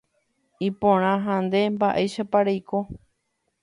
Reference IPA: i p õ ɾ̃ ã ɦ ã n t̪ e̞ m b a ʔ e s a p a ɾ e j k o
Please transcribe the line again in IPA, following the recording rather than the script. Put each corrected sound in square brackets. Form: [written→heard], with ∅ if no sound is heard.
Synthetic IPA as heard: i p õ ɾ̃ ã ɦ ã n [t̪→d̪] e̞ m b a ʔ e [s→ʃ] a p a ɾ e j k o